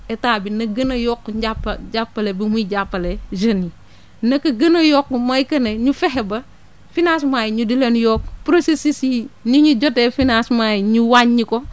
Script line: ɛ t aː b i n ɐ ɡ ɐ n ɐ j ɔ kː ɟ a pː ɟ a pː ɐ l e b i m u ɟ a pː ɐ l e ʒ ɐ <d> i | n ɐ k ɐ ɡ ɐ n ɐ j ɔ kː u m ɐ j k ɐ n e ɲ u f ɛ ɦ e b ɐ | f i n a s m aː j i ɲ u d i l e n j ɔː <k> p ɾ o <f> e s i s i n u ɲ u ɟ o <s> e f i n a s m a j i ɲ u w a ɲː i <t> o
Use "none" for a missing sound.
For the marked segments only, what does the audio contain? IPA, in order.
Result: n, k, s, t, k

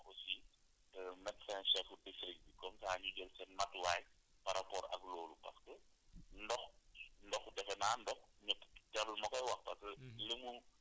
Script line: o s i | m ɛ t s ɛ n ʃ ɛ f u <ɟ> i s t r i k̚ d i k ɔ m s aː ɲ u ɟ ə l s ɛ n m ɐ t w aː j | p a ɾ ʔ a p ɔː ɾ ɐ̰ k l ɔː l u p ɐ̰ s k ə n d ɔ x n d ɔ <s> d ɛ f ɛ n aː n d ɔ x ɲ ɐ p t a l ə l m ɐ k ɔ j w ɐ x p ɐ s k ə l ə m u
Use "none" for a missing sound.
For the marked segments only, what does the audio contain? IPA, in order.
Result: d, x

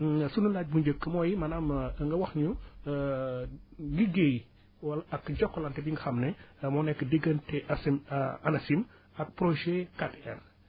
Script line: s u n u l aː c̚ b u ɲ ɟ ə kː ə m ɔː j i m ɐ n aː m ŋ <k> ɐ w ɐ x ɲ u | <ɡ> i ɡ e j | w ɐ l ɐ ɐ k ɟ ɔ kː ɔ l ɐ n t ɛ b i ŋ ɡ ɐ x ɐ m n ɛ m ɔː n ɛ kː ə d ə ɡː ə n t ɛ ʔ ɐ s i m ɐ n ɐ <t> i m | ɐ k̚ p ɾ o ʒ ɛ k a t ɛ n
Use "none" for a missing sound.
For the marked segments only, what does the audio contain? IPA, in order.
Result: ɡ, ɡ, s

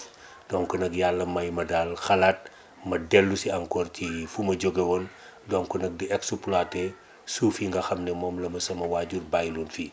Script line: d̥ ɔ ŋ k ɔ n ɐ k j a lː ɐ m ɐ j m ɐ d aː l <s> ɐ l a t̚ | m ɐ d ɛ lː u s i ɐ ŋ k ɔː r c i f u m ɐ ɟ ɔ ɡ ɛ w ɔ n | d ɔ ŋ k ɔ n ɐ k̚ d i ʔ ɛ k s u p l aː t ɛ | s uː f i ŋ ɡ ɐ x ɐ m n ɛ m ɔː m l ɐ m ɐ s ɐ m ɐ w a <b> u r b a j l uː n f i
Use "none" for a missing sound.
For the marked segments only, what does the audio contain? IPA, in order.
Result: x, ɟ

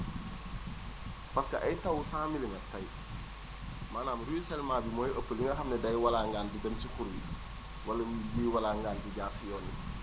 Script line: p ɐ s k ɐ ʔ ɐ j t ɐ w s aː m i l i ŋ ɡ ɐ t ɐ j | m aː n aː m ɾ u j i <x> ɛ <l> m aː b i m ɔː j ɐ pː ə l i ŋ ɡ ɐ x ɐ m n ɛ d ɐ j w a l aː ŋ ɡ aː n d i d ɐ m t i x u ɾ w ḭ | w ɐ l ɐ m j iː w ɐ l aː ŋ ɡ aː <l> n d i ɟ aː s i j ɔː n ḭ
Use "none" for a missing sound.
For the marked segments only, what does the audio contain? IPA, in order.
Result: s, l, none

